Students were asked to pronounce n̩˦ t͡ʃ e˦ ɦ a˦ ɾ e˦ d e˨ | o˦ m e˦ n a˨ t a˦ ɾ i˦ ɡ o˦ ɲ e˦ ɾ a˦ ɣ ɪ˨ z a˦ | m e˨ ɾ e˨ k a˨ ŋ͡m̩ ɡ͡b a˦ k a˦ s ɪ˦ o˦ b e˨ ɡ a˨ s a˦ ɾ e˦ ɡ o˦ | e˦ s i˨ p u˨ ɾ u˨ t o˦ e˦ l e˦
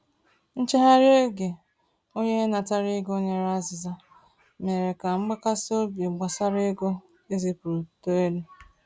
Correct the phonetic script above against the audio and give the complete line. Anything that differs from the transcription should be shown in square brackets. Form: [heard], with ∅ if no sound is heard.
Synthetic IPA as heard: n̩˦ t͡ʃ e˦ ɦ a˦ ɾ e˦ [ɡ] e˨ | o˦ [ɲ] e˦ n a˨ t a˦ ɾ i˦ ɡ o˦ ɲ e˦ ɾ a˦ [z] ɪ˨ z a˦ | m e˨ ɾ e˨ k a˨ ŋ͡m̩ ɡ͡b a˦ k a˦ s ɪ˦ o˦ b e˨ [ɡ͡b] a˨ s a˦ ɾ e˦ ɡ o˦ | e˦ [z] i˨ p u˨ ɾ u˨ t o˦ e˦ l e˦